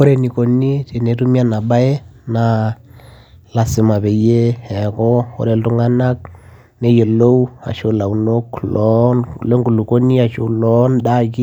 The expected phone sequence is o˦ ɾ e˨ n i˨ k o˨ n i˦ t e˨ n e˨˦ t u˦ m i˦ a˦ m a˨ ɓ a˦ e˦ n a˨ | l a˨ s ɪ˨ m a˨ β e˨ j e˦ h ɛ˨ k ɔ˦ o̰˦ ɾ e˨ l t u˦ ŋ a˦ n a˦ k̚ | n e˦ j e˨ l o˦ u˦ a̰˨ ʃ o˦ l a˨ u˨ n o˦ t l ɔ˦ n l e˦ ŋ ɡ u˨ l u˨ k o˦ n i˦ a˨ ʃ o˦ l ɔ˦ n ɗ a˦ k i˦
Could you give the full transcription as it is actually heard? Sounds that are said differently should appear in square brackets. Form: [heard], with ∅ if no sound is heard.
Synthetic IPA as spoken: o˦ ɾ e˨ n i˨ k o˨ n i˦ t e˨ n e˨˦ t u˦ m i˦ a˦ [n] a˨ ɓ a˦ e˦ n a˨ | l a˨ s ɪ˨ m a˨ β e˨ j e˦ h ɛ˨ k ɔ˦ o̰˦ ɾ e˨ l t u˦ ŋ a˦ n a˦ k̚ | n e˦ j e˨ l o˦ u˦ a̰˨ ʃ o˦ l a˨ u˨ n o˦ [k] l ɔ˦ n l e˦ ŋ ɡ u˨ l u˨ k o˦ n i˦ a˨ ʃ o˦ l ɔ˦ n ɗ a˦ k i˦